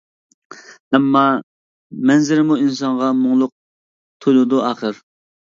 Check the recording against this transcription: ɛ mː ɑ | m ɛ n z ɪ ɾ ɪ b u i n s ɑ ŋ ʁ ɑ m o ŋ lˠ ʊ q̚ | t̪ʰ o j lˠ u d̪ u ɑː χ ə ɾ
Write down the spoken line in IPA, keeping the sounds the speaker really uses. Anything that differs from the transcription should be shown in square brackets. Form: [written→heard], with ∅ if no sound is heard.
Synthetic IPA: ɛ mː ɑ | m ɛ n z ɪ ɾ ɪ [b→m] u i n s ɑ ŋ ʁ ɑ m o ŋ lˠ ʊ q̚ | t̪ʰ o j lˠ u d̪ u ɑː χ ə ɾ